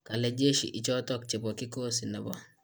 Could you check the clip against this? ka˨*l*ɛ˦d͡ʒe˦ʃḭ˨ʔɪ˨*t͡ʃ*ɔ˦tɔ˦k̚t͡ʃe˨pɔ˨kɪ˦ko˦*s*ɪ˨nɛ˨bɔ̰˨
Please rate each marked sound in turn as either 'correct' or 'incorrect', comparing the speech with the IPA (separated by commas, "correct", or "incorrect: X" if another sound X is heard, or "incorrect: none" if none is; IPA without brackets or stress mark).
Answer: correct, correct, correct